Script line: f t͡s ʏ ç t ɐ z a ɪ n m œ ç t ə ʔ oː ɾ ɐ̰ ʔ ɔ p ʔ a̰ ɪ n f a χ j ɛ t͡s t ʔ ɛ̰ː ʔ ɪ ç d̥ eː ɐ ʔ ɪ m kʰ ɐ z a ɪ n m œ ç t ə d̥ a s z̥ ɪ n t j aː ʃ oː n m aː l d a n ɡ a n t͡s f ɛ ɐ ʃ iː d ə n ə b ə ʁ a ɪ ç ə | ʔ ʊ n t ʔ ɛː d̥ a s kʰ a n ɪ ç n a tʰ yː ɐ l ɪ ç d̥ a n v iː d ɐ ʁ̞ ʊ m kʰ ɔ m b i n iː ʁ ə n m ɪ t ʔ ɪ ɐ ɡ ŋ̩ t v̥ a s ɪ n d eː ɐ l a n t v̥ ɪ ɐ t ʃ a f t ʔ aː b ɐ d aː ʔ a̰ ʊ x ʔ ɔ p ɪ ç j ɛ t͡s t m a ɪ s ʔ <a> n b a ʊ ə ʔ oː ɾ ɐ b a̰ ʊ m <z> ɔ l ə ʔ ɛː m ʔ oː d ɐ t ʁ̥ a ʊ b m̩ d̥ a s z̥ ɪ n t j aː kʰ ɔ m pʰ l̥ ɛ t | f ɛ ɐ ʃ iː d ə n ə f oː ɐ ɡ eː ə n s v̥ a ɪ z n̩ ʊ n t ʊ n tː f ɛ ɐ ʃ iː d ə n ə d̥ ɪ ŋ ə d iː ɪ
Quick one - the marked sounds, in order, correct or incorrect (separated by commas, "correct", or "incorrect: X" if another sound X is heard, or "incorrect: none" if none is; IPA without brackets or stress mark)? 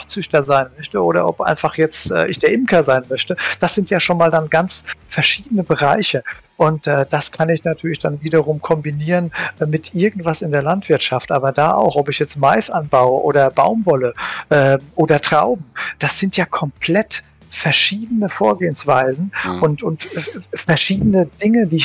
correct, incorrect: v